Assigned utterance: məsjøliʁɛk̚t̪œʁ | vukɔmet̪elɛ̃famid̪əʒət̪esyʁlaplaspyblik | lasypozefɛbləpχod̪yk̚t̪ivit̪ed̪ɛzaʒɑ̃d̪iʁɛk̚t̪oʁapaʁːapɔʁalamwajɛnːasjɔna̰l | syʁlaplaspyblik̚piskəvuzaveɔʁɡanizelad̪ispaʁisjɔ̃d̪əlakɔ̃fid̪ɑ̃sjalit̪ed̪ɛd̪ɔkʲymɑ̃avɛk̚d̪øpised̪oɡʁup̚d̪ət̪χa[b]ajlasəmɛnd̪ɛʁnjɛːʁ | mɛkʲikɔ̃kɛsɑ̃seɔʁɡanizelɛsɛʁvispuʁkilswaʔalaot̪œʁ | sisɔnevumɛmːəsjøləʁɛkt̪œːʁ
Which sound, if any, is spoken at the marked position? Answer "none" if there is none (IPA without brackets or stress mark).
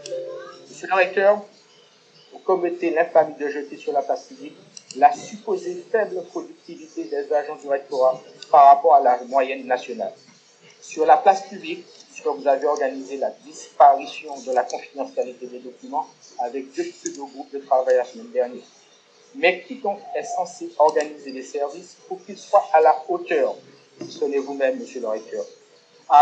v